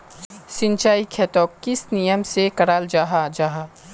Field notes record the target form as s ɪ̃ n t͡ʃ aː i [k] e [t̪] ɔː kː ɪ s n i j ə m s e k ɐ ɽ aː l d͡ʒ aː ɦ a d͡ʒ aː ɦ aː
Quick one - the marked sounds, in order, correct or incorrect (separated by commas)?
incorrect, correct